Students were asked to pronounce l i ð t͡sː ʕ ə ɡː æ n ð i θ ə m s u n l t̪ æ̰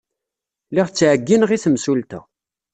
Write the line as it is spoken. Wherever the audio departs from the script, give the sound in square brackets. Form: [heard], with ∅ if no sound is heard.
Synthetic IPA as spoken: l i [ʁ] t͡sː ʕ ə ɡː [i] n [ʁ] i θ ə m s u [∅] l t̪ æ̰